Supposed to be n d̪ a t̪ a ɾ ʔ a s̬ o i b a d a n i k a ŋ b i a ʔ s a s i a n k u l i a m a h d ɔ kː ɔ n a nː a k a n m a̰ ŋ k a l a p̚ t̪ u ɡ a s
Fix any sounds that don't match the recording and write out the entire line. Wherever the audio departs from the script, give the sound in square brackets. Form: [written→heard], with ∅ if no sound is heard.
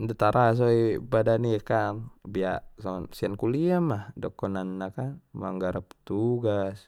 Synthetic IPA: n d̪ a t̪ a ɾ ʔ a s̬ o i b a d a n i k a [ŋ→n] b i a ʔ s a s i a n k u l i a m a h d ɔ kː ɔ n a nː a k a n m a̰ ŋ [k→ɡ] a [l→ɾ] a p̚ t̪ u ɡ a s